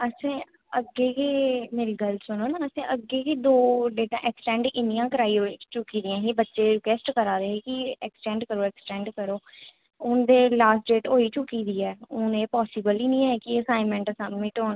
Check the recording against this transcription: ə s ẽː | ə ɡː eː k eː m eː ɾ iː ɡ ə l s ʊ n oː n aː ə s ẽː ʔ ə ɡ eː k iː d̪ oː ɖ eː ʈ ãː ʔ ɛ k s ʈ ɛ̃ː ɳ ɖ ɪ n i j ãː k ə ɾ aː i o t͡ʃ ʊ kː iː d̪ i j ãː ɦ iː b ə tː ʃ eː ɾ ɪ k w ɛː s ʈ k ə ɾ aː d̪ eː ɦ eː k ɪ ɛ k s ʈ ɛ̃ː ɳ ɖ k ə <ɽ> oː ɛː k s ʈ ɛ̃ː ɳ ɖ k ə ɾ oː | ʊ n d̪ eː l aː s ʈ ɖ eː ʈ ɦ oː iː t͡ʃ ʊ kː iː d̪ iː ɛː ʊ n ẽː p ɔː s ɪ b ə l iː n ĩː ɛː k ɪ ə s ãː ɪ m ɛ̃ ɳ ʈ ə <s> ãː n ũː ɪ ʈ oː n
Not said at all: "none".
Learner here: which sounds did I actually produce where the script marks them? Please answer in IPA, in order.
ɾ, s

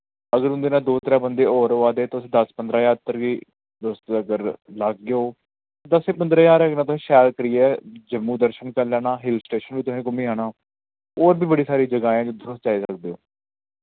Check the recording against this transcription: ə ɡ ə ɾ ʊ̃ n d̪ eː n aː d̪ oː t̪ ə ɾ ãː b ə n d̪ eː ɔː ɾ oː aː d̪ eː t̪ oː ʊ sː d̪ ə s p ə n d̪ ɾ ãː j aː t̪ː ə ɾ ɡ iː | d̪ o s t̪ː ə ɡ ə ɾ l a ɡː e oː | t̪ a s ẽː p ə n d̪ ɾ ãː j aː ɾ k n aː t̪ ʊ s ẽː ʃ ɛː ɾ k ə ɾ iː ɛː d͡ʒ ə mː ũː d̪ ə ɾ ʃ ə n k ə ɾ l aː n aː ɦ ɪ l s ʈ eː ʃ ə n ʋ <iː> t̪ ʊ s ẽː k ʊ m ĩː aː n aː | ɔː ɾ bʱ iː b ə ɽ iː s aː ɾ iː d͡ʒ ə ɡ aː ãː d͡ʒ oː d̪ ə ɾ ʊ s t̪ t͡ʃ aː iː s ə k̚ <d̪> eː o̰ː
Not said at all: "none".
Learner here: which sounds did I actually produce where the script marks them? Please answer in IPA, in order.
iː, d̪

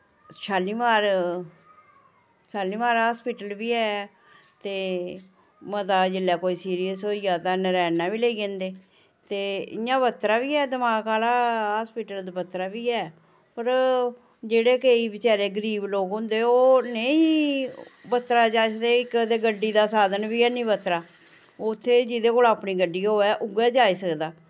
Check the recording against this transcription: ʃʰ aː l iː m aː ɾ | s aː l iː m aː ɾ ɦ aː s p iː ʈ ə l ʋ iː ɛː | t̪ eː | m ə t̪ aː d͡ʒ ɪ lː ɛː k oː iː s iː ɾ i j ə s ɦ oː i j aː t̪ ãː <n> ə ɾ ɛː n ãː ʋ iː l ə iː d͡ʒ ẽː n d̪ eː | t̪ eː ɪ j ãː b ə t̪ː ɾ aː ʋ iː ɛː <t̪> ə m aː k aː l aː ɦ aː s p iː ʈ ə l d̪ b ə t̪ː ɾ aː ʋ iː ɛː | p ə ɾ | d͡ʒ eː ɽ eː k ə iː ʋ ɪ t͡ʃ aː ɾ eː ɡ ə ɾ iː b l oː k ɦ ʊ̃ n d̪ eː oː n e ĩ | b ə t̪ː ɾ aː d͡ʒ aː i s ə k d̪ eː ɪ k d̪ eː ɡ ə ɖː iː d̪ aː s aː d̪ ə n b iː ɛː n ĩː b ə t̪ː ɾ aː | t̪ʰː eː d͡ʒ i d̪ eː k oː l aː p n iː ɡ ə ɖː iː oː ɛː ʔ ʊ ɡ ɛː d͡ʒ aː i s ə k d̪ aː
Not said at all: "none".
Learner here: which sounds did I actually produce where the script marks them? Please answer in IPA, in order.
n, d̪

